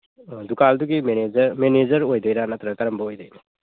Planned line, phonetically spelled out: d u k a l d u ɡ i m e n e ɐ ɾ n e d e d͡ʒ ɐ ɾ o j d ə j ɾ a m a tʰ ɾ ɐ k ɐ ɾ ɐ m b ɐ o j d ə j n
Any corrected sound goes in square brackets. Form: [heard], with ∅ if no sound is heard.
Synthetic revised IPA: d u k a l d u ɡ i m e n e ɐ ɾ [m] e [n] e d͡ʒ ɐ ɾ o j d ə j ɾ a [n] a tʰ ɾ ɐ k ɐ ɾ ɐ m b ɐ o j d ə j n